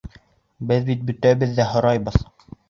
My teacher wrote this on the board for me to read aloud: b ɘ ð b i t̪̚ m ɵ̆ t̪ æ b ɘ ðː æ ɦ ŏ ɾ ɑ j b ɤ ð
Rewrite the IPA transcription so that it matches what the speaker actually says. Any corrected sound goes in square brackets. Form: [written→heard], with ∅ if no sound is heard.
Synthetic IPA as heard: b ɘ ð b i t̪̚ [m→b] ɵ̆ t̪ æ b ɘ ðː æ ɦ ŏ ɾ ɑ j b ɤ ð

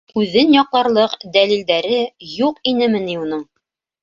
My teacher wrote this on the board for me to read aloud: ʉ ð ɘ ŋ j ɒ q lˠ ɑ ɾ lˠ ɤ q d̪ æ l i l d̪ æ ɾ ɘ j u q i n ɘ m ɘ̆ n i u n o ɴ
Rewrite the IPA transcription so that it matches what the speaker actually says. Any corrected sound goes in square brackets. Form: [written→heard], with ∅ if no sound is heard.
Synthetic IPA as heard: ʉ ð ɘ [ŋ→n] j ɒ q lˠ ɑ ɾ lˠ ɤ q d̪ æ l i l d̪ æ ɾ ɘ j u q i n ɘ m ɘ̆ n i u n [o→ɤ] ɴ

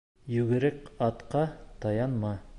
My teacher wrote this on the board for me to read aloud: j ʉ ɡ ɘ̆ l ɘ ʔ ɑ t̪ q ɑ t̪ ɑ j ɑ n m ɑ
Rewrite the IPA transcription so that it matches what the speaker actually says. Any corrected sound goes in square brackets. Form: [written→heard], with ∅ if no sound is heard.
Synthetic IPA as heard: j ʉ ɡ ɘ̆ [l→ɾ] ɘ [ʔ→k] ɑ t̪ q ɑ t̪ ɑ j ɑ n m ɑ

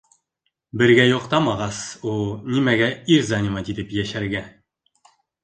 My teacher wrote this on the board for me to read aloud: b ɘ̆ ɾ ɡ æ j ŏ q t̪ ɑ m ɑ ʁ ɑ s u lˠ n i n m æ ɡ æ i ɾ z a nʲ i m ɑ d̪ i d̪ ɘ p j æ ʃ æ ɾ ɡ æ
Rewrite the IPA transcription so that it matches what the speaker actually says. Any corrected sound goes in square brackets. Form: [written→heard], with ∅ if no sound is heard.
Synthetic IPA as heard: b ɘ̆ ɾ ɡ æ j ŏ q t̪ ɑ m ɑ ʁ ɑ s u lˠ n i [n→∅] m æ ɡ æ i ɾ z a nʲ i m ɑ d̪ i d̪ ɘ p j æ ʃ æ ɾ ɡ æ

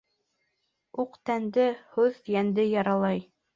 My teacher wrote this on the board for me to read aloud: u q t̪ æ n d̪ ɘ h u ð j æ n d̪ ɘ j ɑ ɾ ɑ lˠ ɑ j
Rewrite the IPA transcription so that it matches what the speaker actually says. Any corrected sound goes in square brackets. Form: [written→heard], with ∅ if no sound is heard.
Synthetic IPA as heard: u q t̪ æ n d̪ ɘ h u ð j æ n d̪ ɘ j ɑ ɾ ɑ lˠ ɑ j

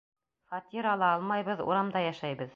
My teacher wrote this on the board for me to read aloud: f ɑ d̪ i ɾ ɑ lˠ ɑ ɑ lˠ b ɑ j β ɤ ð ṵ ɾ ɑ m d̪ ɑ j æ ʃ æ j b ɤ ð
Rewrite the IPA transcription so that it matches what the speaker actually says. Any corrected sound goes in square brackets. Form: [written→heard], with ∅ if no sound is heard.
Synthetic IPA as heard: f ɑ [d̪→t̪] i ɾ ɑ lˠ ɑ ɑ lˠ [b→m] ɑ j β ɤ ð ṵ ɾ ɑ m d̪ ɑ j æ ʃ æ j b ɤ ð

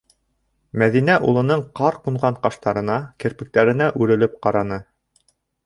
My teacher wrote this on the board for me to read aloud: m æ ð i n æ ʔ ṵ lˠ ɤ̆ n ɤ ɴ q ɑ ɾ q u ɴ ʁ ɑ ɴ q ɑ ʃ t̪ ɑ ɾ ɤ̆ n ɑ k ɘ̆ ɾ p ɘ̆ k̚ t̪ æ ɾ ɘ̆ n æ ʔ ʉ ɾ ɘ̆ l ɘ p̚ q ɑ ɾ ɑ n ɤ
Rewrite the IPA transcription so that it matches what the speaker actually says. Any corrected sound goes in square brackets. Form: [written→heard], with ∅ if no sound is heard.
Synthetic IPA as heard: m æ ð i n æ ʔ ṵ lˠ ɤ̆ n ɤ ɴ q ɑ ɾ q u ɴ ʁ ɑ ɴ q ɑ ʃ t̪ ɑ ɾ ɤ̆ n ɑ k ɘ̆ ɾ p ɘ̆ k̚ t̪ æ ɾ ɘ̆ n æ ʔ ʉ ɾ ɘ̆ l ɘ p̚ q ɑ ɾ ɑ n ɤ

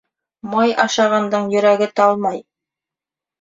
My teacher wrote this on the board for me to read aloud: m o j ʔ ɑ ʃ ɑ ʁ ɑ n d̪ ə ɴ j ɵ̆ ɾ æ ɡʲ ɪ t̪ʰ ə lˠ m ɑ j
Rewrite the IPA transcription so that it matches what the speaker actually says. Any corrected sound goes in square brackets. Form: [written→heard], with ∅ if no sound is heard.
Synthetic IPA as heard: m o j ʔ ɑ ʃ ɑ ʁ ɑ n d̪ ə ɴ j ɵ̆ ɾ æ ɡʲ ɪ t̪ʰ [ə→ɑ] lˠ m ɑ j

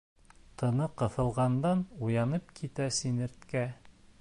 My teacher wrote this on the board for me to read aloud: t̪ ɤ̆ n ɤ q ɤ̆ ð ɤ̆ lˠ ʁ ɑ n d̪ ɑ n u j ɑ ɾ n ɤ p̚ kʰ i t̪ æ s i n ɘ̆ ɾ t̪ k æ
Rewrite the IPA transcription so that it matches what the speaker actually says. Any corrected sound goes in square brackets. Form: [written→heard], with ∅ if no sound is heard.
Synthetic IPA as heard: t̪ ɤ̆ n ɤ q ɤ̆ [ð→θ] ɤ̆ lˠ ʁ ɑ n d̪ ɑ n u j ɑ [ɾ→∅] n ɤ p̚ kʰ i t̪ æ s i n ɘ̆ ɾ t̪ k æ

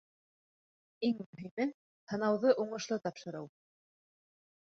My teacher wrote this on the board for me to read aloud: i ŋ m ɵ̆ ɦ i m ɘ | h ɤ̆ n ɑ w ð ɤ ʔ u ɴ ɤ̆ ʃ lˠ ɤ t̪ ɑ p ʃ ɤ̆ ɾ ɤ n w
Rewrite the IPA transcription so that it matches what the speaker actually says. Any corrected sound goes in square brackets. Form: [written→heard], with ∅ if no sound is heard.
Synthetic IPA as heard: i ŋ m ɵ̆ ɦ i m ɘ | h ɤ̆ n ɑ w ð ɤ ʔ u ɴ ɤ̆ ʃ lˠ ɤ t̪ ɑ p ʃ ɤ̆ ɾ ɤ [n→∅] w

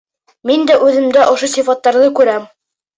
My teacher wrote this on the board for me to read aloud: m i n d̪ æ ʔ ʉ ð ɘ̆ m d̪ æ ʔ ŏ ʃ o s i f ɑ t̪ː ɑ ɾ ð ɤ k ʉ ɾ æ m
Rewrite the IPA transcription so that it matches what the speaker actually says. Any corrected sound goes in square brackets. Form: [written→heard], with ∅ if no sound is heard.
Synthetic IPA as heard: m i n d̪ æ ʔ ʉ ð ɘ̆ m d̪ æ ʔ ŏ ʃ o s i f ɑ t̪ː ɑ ɾ ð ɤ k ʉ ɾ æ m

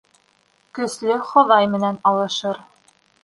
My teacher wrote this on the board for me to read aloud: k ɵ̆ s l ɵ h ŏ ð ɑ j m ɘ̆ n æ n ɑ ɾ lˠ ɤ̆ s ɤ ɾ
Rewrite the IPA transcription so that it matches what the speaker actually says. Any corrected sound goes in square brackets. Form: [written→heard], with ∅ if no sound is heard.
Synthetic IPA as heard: k ɵ̆ s l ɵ [h→χ] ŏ ð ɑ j m ɘ̆ n æ n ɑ [ɾ→∅] lˠ ɤ̆ [s→ʃ] ɤ ɾ

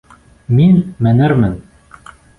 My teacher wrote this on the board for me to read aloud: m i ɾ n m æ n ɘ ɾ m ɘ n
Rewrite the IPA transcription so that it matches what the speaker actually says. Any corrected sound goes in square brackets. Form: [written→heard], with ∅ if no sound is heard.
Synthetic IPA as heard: m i [ɾ→∅] n m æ n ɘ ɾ m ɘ n

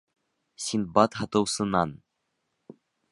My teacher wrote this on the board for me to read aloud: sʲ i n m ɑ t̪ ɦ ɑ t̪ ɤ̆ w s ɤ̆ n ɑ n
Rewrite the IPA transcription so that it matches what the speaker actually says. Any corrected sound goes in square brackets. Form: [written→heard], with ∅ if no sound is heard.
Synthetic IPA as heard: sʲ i n [m→b] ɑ t̪ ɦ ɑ t̪ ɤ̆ w s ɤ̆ n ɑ n

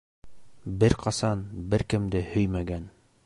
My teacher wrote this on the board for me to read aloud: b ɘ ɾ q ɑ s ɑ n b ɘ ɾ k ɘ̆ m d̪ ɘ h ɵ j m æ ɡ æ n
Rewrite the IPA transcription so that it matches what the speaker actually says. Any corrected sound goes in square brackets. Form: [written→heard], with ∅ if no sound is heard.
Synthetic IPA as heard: b ɘ ɾ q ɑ s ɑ n b ɘ ɾ k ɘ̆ m d̪ ɘ h ɵ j m æ ɡ æ n

